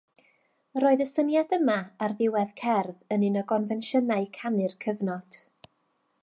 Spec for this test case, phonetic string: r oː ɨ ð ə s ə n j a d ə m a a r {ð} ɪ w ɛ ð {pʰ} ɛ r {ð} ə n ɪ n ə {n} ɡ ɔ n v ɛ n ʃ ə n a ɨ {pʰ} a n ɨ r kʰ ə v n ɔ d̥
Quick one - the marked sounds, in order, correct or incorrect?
correct, incorrect, correct, incorrect, incorrect

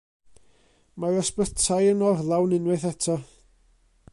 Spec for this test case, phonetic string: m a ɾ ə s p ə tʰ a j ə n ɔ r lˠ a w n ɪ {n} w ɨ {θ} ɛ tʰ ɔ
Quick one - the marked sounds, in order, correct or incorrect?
correct, correct

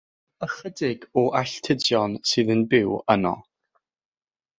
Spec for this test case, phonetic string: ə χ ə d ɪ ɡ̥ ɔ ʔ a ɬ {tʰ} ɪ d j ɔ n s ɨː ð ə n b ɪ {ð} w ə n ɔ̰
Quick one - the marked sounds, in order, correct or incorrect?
correct, incorrect

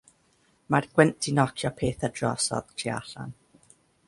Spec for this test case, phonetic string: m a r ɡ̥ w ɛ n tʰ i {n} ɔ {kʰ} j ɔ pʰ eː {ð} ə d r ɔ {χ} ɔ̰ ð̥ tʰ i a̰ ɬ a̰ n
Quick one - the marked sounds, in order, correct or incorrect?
correct, correct, incorrect, incorrect

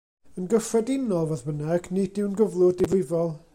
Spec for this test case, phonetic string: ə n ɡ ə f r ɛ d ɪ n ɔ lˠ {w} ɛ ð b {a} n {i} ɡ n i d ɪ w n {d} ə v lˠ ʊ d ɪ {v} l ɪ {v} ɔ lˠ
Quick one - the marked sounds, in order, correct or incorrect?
incorrect, incorrect, incorrect, incorrect, correct, correct

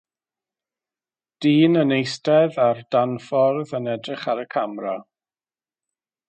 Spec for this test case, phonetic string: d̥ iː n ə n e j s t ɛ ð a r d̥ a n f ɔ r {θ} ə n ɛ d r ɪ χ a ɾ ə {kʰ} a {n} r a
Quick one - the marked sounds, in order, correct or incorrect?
incorrect, correct, incorrect

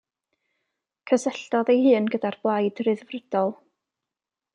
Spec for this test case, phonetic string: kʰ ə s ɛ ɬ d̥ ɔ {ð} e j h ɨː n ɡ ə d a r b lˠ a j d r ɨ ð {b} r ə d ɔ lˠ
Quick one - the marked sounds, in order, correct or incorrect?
correct, incorrect

